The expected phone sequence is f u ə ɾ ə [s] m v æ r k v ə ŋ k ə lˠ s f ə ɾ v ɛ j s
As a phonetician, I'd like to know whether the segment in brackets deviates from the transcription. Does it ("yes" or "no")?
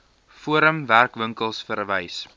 yes